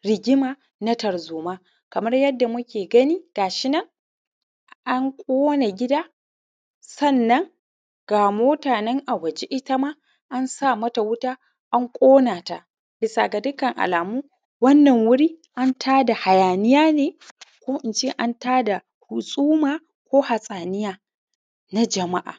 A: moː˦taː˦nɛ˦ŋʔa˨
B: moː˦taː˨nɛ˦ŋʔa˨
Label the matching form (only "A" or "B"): B